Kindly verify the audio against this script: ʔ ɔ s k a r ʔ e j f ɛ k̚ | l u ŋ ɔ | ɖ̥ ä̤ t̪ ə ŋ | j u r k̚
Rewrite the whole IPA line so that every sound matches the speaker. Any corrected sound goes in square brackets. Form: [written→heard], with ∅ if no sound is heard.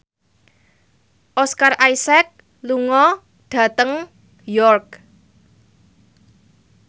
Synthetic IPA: ʔ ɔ s k a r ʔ [e→a] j [f→s] ɛ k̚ | l u ŋ ɔ | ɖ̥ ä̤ t̪ ə ŋ | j [u→ɔ] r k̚